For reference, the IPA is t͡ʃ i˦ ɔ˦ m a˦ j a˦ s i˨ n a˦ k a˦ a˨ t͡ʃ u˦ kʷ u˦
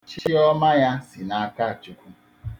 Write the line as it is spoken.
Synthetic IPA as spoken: t͡ʃ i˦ ɔ˦ m a˦ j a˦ s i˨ n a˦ k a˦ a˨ t͡ʃ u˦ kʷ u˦